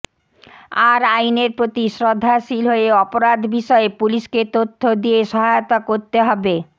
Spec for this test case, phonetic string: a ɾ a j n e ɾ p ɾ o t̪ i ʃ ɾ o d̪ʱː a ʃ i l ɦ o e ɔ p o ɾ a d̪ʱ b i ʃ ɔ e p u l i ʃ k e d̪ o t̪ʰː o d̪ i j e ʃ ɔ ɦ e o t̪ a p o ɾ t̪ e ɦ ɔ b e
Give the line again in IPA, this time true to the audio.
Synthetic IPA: a ɾ a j n e ɾ p ɾ o t̪ i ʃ ɾ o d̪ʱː a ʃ i l ɦ o e ɔ p o ɾ a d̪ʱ b i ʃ ɔ e p u l i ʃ k e t̪ o t̪ʰː o d̪ i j e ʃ ɔ ɦ a o t̪ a k o ɾ t̪ e ɦ ɔ b e